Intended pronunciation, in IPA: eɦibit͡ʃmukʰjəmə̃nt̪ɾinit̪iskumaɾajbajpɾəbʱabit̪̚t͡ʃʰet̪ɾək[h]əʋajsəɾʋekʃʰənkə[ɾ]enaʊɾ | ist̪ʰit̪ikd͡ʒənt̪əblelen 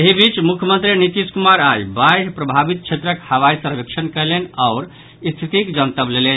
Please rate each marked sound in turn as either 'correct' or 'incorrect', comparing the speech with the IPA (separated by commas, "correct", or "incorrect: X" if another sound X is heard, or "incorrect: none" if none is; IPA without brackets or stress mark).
correct, incorrect: l